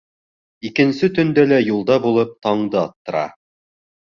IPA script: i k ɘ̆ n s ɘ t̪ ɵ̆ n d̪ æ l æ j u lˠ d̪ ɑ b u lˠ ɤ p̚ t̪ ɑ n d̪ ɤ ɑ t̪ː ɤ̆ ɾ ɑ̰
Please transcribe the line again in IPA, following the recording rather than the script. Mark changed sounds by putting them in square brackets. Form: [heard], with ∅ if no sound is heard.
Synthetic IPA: i k ɘ̆ n s ɘ t̪ ɵ̆ n d̪ æ l æ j u lˠ d̪ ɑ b u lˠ ɤ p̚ t̪ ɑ [ɴ] d̪ ɤ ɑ t̪ː ɤ̆ ɾ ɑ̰